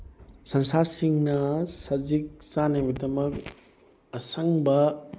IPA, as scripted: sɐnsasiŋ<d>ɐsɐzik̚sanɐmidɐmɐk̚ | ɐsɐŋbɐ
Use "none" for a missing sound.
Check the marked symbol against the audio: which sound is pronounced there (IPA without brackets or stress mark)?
n